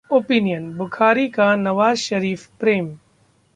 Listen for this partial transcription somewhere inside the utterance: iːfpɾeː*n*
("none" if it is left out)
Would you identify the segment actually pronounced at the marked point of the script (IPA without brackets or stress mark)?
m